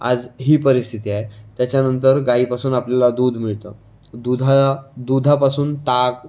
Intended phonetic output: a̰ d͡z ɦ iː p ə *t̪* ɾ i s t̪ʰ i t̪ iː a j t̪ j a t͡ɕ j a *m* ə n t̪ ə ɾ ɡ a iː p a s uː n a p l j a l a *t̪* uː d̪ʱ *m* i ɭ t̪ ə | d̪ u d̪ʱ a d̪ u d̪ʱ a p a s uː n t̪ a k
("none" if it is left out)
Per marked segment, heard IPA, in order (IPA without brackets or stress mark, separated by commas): none, n, d̪, m